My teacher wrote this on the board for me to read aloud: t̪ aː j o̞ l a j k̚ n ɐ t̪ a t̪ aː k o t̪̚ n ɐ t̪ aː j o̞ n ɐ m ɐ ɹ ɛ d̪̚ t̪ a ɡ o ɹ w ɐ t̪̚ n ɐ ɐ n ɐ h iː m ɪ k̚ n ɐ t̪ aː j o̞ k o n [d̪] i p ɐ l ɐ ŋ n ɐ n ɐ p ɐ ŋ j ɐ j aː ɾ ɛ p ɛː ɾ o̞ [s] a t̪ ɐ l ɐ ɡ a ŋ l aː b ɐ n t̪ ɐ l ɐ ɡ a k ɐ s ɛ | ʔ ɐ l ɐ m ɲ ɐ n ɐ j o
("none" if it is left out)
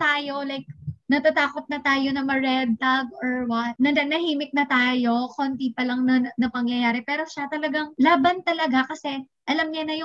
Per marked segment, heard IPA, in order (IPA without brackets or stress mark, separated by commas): t̪, ʃ